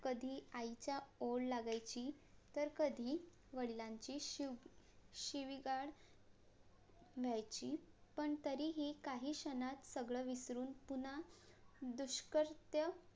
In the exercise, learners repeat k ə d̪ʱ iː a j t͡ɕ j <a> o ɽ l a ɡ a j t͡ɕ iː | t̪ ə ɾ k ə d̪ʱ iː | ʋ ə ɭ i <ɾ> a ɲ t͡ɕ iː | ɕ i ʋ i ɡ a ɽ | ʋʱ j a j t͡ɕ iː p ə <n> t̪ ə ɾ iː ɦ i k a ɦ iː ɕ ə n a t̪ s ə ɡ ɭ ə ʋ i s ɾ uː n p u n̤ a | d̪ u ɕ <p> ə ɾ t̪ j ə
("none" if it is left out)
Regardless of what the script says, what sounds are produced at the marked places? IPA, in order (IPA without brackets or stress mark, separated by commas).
a, l, ɳ, k